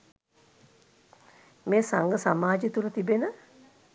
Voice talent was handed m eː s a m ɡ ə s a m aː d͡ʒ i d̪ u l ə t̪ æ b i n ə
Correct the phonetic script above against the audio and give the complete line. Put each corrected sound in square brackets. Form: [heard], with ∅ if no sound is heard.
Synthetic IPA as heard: m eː s a [ŋ] ɡ ə s a m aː d͡ʒ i [t̪] u l ə t̪ [i] b [e] n ə